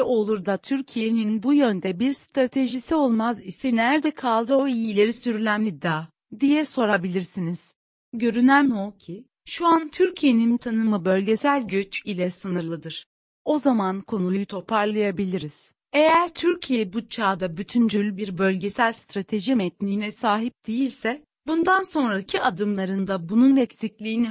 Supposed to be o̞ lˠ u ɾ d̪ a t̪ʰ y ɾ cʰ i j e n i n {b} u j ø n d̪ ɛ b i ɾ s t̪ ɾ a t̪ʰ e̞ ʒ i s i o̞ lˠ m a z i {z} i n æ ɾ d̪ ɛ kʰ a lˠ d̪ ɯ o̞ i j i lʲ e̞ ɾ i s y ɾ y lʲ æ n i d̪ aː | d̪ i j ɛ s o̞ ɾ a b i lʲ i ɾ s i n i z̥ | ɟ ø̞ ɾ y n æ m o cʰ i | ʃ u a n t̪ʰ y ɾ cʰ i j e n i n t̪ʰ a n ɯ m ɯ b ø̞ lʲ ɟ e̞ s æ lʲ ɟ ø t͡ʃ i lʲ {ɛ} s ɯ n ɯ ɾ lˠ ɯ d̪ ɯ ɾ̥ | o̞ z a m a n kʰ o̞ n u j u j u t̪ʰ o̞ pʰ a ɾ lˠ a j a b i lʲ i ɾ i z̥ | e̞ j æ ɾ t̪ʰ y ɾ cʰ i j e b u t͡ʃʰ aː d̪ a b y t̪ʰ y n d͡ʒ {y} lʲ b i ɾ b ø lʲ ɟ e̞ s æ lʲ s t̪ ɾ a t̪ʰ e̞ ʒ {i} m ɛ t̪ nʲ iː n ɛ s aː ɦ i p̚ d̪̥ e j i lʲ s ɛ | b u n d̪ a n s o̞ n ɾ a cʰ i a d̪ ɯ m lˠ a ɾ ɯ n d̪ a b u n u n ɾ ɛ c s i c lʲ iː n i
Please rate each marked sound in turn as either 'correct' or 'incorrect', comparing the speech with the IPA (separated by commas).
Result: correct, incorrect, correct, correct, correct